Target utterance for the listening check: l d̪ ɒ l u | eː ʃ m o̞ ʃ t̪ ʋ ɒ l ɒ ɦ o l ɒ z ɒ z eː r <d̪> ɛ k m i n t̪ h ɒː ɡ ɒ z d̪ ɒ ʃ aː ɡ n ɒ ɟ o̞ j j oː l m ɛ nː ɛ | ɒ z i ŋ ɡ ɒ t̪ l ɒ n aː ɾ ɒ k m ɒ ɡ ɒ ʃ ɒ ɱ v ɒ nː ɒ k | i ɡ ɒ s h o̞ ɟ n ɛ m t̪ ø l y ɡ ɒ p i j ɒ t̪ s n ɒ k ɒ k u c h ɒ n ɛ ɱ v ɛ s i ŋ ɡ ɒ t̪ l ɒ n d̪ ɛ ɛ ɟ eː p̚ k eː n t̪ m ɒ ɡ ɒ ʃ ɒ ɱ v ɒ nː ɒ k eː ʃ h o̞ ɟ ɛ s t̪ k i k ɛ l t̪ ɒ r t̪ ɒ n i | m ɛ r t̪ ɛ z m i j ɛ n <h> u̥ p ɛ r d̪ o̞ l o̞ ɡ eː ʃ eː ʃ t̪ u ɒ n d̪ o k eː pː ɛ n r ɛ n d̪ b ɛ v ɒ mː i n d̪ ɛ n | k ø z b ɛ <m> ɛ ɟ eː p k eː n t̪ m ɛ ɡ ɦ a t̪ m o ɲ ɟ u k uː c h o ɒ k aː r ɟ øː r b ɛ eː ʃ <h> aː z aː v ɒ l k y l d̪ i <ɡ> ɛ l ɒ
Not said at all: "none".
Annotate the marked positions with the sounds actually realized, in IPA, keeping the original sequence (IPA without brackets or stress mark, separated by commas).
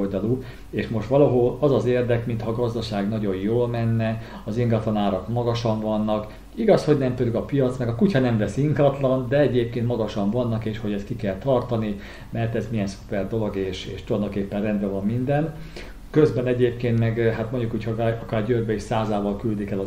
d̪, s, n, s, k